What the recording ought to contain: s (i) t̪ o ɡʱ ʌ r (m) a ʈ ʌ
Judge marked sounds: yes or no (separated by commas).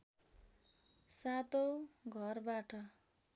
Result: no, no